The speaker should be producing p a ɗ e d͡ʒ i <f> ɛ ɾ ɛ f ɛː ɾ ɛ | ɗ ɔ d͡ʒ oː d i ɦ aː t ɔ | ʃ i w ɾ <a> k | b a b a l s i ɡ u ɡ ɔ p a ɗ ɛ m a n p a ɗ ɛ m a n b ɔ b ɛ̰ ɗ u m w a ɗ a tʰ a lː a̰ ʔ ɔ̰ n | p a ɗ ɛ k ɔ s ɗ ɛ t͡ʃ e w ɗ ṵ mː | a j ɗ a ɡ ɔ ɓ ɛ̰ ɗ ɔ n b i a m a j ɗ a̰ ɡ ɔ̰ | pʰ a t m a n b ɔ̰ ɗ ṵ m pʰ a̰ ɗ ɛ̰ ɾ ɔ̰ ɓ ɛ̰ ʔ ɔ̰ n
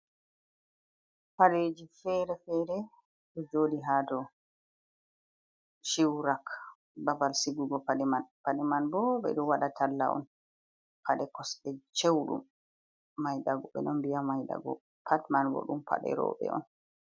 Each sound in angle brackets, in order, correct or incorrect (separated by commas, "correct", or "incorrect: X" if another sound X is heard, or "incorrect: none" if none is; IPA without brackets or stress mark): correct, correct